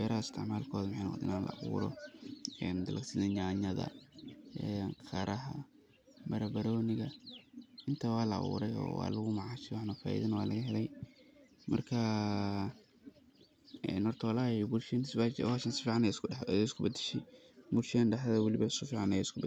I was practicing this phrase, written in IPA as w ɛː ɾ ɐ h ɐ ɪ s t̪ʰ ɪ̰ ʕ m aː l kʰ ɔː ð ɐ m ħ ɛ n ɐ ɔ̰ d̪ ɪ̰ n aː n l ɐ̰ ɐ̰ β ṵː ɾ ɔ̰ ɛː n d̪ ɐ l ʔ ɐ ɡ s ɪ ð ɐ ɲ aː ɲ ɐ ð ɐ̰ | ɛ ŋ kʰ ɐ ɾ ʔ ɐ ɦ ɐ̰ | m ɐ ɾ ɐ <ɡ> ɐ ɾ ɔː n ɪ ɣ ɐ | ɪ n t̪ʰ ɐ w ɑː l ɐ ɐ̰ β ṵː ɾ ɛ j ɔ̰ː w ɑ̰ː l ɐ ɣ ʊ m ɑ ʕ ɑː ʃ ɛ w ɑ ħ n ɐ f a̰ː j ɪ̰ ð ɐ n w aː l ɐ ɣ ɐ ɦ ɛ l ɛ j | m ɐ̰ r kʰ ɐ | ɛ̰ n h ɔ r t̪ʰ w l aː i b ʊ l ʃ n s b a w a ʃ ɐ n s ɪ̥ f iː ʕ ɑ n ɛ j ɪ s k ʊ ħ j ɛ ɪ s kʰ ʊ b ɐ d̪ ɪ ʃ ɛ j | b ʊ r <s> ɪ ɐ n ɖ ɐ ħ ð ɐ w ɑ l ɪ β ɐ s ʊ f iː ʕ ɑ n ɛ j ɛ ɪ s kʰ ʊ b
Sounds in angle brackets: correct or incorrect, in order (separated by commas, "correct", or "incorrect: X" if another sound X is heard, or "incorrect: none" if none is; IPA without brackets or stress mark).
incorrect: b, incorrect: ʃ